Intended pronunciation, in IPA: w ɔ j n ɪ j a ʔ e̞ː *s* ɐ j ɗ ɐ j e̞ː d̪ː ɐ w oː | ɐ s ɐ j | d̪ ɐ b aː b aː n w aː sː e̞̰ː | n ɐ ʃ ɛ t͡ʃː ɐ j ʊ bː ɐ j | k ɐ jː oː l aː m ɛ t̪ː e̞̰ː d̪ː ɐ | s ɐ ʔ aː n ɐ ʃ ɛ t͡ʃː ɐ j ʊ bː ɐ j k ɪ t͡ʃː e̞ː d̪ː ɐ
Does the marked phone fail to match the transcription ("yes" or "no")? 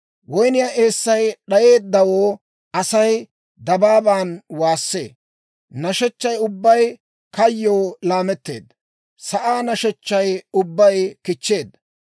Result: yes